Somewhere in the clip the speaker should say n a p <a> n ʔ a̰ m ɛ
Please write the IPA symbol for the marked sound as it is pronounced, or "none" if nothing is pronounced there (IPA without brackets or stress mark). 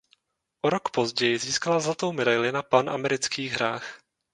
a